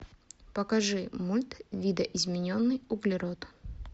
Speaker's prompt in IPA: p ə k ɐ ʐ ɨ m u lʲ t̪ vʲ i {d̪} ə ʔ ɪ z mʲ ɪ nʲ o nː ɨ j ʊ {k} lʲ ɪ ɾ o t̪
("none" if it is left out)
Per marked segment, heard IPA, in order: d̪, ɡ

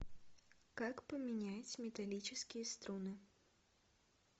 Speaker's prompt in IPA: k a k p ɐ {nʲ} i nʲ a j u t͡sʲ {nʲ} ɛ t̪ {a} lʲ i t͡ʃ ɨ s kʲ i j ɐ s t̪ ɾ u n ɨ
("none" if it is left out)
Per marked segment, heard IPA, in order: mʲ, mʲ, a

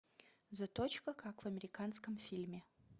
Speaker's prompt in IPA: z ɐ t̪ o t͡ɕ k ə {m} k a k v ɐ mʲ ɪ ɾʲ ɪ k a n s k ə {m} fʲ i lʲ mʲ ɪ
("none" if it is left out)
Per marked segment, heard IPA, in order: none, m

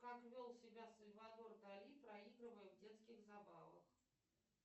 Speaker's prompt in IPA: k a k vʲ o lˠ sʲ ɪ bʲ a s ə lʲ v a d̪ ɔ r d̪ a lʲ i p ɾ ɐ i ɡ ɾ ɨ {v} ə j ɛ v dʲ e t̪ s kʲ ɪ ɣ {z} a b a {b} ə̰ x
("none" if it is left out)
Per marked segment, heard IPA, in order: v, z, v

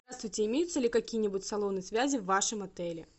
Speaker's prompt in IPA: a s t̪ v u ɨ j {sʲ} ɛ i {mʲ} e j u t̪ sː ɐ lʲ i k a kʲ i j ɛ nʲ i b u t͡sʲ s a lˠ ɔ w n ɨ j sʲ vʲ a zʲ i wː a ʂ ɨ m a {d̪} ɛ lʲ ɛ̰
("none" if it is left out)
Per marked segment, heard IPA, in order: t͡sʲ, mʲ, t̪

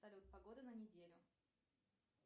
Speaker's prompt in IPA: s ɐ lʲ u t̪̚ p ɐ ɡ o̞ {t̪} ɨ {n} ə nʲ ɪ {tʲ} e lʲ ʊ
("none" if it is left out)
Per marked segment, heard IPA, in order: d̪, n, dʲ

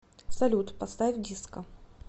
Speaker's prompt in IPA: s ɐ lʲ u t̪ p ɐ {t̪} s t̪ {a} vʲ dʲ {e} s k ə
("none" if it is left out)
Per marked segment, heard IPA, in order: none, a, i

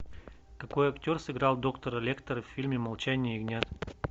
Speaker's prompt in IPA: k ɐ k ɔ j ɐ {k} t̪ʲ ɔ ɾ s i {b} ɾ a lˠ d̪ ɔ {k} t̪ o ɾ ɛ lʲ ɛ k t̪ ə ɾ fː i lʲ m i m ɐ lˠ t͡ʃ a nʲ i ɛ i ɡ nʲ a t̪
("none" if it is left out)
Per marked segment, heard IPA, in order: k, ɡ, k

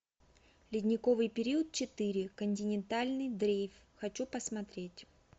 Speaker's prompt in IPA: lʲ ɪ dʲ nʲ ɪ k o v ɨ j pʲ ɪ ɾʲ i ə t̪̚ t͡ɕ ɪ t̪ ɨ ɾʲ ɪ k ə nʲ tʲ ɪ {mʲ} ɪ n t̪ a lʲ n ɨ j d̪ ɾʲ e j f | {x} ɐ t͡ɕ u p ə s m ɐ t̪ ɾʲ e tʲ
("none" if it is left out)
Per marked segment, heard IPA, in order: nʲ, x

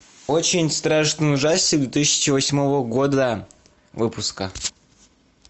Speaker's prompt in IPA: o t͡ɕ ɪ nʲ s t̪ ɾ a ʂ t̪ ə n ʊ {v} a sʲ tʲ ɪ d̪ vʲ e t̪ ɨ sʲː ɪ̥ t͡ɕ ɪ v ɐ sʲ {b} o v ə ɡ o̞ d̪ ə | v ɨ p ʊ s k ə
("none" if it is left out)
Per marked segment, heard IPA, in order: ʐ, m

